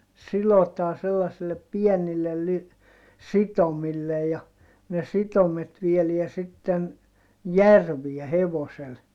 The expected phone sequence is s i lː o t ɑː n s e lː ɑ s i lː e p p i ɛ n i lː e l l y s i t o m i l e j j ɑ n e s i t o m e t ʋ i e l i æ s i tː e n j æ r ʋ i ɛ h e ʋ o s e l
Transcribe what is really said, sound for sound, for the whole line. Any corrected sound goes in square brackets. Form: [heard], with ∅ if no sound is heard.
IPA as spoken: s i [l] o t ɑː n s e lː ɑ s i lː e p p i ɛ n i lː e l l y s i t o m i [lː] e j j ɑ n e s i t o m e t ʋ i e l i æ s i tː e n j æ r ʋ i ɛ h e ʋ o s e l